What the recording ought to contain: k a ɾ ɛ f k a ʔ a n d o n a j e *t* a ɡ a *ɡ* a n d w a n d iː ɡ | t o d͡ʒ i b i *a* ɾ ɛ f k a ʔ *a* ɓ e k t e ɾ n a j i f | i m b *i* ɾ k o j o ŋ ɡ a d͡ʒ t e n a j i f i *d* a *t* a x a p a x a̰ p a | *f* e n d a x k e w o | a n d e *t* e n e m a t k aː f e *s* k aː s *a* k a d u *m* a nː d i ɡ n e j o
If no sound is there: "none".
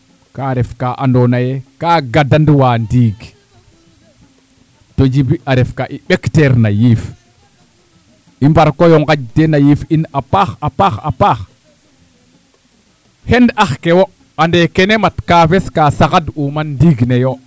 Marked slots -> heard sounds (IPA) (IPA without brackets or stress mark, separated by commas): k, d, a, i, a, n, p, h, k, s, a, m